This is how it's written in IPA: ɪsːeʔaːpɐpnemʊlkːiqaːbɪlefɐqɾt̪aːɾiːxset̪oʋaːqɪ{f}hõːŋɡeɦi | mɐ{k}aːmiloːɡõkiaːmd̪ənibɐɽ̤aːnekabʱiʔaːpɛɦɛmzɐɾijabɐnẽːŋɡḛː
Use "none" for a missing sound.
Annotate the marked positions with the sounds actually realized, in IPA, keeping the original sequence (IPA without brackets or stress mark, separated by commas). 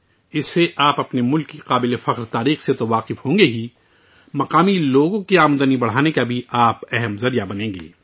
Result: f, q